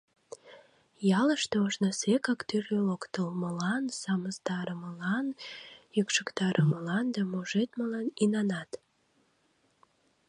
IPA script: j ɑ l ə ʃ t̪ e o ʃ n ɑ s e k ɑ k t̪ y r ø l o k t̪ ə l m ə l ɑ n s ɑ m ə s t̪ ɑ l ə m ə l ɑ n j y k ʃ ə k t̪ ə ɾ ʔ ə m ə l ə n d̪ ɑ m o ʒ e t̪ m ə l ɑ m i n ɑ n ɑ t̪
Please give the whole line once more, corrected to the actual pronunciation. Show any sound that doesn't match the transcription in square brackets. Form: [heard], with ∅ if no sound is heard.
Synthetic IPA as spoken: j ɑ l ə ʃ t̪ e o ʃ n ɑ s e k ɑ k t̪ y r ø l o k t̪ ə l m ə l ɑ n s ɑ m ə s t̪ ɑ [ɾ] ə m ə l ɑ n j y k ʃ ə k t̪ [ɑ] ɾ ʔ ə m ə l [ɑ] n d̪ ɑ m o ʒ e t̪ m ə l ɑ [n] i n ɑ n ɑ t̪